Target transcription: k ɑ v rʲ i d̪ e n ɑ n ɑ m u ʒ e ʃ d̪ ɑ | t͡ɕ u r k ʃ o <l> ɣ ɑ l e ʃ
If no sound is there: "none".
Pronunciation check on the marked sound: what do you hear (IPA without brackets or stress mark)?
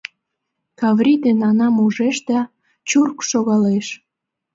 none